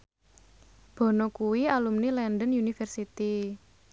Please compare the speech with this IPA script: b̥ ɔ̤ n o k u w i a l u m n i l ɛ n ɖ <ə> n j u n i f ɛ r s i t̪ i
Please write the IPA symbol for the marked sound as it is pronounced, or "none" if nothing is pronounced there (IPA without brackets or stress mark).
ə